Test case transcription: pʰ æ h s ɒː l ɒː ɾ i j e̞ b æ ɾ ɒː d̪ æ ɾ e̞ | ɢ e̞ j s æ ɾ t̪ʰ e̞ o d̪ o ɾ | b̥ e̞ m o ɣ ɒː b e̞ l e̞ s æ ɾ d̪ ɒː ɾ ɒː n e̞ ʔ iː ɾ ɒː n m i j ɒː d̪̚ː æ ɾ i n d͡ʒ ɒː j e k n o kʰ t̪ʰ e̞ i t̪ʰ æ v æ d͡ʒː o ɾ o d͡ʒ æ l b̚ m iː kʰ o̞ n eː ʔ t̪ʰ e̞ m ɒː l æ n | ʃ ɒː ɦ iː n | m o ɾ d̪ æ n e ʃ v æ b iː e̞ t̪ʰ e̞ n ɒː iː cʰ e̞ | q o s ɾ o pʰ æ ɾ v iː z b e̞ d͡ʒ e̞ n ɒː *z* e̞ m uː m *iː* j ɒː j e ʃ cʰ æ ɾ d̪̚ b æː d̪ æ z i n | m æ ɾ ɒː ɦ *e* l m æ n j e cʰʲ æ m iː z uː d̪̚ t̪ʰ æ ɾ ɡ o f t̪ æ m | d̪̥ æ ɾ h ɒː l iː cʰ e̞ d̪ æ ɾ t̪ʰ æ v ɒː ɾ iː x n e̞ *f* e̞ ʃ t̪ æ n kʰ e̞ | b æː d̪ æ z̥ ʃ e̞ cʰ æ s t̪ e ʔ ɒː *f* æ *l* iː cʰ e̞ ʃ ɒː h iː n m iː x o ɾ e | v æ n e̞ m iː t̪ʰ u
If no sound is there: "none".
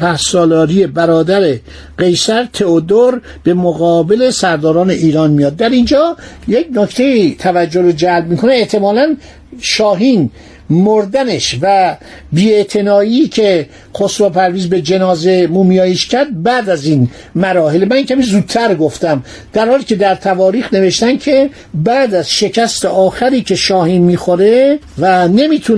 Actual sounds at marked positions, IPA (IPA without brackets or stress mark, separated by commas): z, i, e, v, x, ɾ